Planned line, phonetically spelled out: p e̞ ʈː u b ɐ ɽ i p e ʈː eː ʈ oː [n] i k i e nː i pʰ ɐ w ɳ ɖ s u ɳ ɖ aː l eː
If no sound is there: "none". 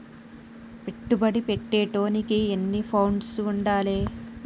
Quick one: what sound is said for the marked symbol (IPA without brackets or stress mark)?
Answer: n